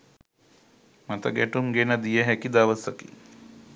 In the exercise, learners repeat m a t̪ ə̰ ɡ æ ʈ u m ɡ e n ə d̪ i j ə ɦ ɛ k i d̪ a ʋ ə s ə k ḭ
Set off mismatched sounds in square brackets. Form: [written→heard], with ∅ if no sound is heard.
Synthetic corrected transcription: m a t̪ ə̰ ɡ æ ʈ u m ɡ e n ə d̪ i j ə ɦ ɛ k i d̪ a ʋ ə s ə k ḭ